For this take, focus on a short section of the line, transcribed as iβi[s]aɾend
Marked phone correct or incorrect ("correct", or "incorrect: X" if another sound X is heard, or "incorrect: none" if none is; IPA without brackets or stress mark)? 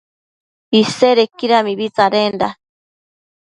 incorrect: t͡s